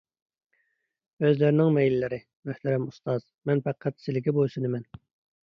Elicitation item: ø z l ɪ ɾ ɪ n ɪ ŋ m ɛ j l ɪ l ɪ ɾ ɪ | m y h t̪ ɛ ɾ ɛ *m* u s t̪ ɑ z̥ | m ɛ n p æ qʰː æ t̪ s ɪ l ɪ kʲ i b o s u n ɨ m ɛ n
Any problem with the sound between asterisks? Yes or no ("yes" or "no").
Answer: no